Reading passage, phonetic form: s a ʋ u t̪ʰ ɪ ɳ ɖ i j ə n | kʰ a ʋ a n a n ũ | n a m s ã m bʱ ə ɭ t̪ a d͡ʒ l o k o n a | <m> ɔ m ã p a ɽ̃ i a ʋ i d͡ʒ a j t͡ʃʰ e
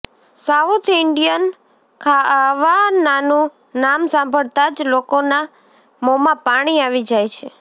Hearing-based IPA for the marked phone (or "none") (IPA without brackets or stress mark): m